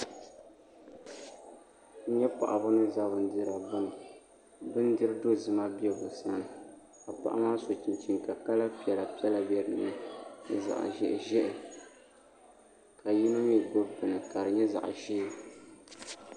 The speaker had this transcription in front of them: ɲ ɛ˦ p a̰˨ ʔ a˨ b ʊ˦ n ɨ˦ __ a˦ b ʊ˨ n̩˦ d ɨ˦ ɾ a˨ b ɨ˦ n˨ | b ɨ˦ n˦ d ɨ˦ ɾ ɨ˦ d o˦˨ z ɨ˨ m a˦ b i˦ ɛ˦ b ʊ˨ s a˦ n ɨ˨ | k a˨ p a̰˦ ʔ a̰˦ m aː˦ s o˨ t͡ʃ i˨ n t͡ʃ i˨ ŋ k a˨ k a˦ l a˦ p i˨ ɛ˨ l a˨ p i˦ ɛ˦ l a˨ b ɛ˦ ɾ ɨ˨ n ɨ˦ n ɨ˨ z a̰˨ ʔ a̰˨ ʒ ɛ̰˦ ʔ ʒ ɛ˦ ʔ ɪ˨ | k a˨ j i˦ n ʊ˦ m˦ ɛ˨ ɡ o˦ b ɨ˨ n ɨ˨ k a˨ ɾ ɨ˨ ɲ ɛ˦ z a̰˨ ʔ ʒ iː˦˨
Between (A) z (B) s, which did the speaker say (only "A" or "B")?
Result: A